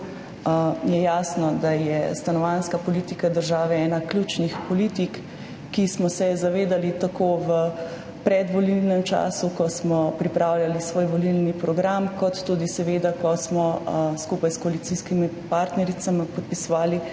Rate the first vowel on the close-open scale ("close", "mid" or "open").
mid